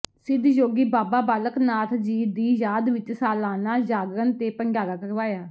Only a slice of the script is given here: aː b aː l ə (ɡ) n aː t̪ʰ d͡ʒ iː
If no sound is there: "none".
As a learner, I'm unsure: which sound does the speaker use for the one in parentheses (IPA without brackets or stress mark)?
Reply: k